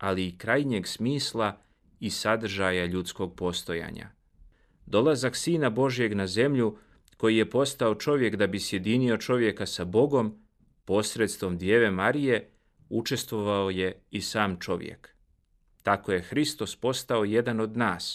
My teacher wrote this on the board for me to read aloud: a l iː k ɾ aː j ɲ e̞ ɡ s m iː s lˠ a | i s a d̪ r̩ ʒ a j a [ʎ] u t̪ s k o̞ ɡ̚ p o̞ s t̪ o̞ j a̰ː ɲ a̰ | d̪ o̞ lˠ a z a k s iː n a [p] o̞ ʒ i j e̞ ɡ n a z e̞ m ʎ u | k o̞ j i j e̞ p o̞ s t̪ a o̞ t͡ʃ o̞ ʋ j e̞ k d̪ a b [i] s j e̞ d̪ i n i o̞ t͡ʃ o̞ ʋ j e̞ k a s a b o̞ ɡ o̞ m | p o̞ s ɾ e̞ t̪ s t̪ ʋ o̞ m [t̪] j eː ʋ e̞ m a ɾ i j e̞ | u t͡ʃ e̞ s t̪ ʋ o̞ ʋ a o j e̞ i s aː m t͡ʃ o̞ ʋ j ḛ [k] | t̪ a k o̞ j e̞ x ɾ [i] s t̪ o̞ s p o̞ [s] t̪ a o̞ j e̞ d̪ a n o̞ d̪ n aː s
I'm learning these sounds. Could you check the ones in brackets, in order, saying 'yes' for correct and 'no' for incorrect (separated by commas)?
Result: yes, no, yes, no, yes, yes, yes